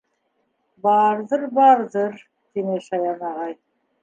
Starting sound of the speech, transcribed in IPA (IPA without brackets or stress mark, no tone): b